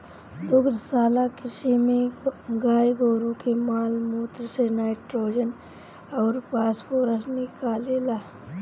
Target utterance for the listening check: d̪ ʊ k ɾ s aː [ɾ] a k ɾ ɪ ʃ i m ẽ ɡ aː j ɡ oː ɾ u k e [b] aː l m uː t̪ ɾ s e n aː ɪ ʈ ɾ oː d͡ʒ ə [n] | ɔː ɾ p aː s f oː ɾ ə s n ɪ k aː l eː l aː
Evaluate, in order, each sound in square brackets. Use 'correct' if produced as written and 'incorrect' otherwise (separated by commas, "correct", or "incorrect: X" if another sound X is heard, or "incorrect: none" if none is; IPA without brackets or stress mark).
incorrect: l, incorrect: m, correct